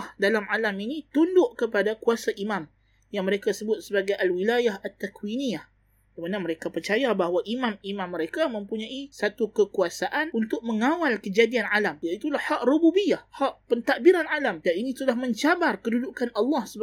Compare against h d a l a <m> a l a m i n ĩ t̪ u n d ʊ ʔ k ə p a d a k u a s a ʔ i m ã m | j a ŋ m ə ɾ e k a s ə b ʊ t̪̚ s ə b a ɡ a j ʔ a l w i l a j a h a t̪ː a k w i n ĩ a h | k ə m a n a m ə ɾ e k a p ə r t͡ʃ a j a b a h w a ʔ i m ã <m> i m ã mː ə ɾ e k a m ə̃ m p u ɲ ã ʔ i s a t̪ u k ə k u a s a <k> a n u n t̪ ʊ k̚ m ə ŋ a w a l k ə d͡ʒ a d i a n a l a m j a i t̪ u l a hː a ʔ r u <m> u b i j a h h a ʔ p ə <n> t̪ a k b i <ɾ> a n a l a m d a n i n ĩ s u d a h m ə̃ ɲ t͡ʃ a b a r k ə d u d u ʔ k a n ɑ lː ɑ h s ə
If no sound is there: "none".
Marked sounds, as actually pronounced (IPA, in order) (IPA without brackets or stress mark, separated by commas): m, m, ʔ, b, n, ɾ